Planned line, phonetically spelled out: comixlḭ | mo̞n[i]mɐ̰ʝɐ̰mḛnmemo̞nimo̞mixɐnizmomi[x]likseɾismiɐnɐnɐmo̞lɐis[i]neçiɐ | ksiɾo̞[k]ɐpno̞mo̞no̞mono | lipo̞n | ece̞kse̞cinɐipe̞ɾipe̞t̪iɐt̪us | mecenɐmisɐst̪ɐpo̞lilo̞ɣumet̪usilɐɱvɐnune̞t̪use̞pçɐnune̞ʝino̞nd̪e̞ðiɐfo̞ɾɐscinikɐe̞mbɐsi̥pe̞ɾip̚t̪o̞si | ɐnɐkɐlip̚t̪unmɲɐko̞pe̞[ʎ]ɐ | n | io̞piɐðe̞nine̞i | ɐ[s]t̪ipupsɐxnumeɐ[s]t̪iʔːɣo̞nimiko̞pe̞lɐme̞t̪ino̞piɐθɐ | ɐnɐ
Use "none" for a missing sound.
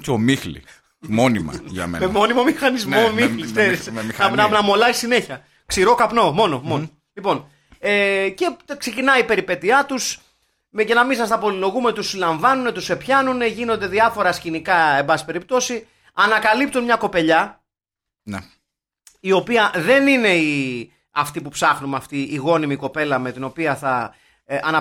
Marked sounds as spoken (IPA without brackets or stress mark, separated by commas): i, x, i, k, ʎ, f, f